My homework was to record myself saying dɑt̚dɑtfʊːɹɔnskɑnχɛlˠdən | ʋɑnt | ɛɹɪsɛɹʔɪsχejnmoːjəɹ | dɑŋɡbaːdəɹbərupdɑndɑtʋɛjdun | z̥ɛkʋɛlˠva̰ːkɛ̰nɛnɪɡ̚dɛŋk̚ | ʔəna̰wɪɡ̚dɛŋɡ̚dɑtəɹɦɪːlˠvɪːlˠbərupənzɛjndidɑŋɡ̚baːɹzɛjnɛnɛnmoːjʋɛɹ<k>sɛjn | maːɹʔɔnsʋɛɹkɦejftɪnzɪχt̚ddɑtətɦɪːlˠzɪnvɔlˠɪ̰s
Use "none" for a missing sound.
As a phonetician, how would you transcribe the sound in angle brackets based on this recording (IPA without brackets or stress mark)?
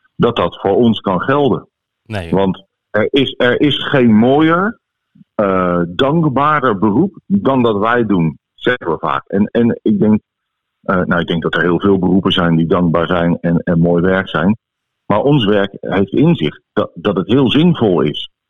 k